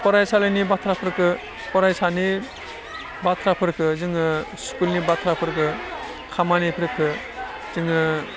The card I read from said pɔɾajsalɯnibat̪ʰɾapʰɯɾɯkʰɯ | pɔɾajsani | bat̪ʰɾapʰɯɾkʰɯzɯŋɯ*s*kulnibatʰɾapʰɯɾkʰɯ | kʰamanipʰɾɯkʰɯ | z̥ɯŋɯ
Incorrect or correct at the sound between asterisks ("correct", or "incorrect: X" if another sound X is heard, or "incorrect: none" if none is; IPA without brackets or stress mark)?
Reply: correct